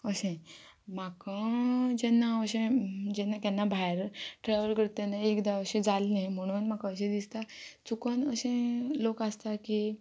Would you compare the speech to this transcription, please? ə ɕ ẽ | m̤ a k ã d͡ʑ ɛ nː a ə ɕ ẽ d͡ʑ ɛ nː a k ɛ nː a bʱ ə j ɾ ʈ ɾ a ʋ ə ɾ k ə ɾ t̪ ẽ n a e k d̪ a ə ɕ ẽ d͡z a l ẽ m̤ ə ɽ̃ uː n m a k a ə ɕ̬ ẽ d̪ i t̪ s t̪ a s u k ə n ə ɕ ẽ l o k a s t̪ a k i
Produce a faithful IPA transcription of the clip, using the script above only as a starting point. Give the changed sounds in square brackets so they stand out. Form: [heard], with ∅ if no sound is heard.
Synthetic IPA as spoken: ə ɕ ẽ | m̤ a k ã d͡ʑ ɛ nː a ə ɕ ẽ d͡ʑ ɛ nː a k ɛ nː a bʱ [a] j ɾ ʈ ɾ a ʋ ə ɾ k ə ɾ t̪ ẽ n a e k d̪ a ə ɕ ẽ d͡z a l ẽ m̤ ə ɽ̃ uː n m a k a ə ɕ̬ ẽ d̪ i [∅] s t̪ a [t͡s] u k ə n ə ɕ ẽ l o k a s t̪ a k i